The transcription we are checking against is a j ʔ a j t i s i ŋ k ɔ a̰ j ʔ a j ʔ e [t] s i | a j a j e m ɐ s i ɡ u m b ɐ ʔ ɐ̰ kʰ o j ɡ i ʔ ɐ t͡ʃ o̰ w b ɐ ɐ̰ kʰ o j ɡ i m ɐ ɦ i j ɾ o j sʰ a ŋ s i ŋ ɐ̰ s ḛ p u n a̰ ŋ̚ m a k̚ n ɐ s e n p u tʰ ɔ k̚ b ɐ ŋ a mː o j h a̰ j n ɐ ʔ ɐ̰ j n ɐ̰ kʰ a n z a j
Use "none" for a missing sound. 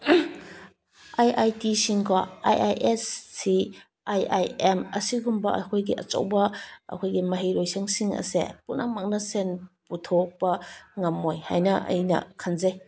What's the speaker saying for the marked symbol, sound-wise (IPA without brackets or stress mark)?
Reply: s